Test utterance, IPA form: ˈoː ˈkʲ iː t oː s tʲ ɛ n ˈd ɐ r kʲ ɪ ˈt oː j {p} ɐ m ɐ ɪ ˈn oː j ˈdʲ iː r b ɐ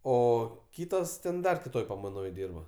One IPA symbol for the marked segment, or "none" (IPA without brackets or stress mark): p